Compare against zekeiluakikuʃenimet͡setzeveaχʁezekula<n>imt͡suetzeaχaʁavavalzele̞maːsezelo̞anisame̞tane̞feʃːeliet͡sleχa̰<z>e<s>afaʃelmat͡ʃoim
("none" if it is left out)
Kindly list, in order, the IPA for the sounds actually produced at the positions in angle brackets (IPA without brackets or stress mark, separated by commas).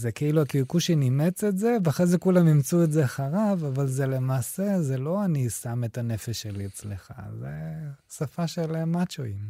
m, z, s